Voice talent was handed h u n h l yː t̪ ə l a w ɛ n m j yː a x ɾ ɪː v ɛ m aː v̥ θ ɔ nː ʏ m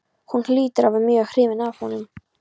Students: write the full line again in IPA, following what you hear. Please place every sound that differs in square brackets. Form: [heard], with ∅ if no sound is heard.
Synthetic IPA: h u n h l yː t̪ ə [ɾ] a [v] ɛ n m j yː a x ɾ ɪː v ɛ [n] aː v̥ [h] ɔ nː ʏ m